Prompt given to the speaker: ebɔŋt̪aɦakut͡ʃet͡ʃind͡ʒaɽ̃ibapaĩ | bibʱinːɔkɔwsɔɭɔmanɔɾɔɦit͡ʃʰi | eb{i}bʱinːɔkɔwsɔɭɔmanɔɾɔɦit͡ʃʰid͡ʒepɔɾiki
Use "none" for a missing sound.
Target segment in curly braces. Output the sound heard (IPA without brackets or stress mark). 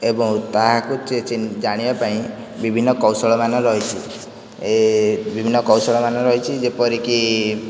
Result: i